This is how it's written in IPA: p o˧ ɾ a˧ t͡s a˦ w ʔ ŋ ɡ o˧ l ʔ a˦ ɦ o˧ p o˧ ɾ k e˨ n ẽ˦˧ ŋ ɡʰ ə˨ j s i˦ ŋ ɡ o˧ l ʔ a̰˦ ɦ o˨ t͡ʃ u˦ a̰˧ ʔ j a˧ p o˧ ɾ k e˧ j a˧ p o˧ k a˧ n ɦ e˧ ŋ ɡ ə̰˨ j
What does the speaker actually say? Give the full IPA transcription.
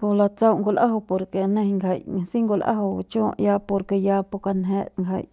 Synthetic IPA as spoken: p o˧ l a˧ t͡s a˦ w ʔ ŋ ɡ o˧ l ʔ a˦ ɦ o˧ p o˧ ɾ k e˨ n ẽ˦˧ ŋ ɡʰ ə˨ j s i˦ ŋ ɡ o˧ l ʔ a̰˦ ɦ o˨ t͡ʃ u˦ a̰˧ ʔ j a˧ p o˧ ɾ k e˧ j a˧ p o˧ k a˧ n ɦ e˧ ŋ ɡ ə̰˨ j